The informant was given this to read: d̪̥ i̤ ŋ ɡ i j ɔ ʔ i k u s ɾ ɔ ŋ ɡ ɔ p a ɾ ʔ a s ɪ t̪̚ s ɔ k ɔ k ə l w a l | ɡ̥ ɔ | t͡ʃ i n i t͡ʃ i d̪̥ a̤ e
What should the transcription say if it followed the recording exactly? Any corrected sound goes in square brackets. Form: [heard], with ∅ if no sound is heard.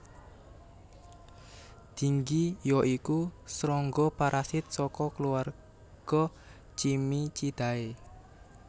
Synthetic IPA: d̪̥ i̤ ŋ ɡ i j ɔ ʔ i k u s ɾ ɔ ŋ ɡ ɔ p a ɾ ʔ a s ɪ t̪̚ s ɔ k ɔ k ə l [u] a [r] | ɡ̥ ɔ | t͡ʃ i [m] i t͡ʃ i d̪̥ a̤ e